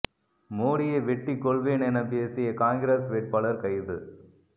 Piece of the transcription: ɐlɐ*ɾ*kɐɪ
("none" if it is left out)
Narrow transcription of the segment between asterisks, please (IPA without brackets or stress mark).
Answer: ɾ